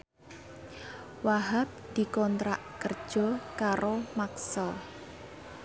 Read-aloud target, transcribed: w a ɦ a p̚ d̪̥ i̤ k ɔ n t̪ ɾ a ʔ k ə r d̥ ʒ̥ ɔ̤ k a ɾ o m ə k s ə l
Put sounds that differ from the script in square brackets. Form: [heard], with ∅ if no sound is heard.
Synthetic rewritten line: w a ɦ a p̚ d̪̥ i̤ k ɔ n t̪ ɾ a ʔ k ə r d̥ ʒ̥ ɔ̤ k a ɾ o m [a] k s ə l